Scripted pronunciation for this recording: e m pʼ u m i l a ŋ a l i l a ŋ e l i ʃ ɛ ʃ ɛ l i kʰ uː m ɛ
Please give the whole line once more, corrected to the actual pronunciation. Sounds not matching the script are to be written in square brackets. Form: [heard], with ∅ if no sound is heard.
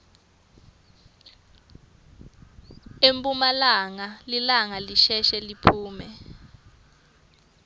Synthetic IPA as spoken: e m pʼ u m [a] l a ŋ a l i l a ŋ [a] l i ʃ ɛ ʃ ɛ l i [pʰ] uː m ɛ